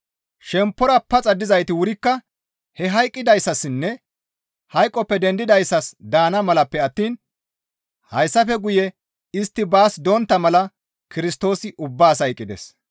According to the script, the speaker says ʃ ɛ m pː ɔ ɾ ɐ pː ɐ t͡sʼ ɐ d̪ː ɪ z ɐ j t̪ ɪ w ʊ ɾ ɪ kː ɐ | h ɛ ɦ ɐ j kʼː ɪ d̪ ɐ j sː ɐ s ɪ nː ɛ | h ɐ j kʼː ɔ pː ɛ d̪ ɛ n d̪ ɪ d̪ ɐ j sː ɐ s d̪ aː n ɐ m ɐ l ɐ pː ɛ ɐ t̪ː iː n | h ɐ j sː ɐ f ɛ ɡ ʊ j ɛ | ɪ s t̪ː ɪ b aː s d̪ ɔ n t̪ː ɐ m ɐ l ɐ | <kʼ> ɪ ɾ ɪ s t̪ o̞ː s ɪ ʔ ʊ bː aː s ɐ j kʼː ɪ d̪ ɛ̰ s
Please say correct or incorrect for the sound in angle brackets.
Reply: incorrect